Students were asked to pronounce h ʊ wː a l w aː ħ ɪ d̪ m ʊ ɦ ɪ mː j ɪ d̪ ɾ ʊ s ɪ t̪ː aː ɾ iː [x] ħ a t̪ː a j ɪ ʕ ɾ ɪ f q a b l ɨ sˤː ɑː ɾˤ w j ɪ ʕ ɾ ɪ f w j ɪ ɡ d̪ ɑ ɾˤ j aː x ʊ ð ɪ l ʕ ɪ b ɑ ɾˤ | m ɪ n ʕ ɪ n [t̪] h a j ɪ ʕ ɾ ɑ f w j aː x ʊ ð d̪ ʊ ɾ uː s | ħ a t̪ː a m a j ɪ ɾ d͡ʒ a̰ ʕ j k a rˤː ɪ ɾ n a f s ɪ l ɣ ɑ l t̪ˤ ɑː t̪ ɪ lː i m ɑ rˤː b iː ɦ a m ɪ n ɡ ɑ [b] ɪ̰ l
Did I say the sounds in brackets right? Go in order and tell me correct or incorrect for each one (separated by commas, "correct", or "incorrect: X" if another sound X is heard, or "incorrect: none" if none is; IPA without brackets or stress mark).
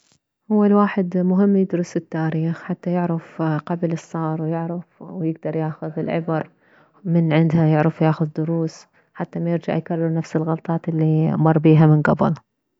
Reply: correct, incorrect: d̪, correct